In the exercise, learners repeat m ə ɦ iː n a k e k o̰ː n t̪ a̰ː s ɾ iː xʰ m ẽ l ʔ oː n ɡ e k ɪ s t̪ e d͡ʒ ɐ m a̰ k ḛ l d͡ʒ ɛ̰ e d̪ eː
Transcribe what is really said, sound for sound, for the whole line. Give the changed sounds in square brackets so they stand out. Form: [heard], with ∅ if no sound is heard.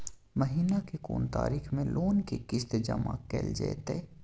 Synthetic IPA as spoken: m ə ɦ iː n a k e k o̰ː n t̪ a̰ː [∅] ɾ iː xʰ m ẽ l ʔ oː n [k] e k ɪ s t̪ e d͡ʒ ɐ m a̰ k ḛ l d͡ʒ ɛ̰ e [t̪] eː

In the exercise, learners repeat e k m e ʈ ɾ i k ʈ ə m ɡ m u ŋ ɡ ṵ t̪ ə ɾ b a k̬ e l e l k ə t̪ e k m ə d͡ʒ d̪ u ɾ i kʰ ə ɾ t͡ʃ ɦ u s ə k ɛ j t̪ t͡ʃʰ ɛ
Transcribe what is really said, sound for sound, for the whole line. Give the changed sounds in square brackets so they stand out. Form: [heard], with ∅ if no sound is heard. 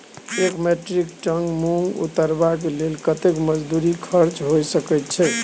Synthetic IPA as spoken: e k m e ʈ ɾ i k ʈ ə [ŋ] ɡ m u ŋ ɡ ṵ t̪ ə ɾ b a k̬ e l e l k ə t̪ e k m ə d͡ʒ d̪ u ɾ i kʰ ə ɾ t͡ʃ ɦ [o] s ə k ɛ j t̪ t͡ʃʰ ɛ

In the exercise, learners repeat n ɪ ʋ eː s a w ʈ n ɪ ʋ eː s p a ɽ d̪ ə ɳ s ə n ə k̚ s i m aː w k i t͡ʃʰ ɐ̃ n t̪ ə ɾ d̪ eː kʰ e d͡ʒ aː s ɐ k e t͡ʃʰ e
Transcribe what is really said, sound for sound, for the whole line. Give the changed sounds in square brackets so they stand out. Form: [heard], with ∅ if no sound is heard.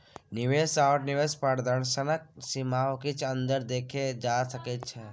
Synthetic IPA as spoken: n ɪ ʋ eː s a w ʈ n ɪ ʋ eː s p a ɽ d̪ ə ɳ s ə n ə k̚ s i m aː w k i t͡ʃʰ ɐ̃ n [d̪] ə ɾ d̪ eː kʰ e d͡ʒ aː s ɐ k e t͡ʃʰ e

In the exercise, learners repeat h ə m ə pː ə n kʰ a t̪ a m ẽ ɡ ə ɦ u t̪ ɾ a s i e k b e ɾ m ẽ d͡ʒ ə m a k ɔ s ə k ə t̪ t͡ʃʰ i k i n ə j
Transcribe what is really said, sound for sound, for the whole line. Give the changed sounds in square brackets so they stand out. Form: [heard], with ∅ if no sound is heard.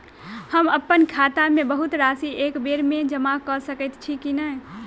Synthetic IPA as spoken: h ə m ə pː ə n kʰ a t̪ a m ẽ [b] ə ɦ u t̪ ɾ a s i e k b e ɾ m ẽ d͡ʒ ə m a k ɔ s ə k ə t̪ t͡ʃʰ i k i n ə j

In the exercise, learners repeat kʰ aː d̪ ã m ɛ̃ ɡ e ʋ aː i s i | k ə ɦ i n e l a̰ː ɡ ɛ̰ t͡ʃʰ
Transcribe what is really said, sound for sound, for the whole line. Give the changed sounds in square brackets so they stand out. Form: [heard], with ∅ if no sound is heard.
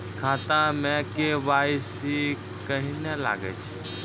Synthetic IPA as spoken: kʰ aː [t̪] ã m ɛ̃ [k] e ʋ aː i s i | k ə ɦ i n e l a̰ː ɡ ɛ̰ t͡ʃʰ

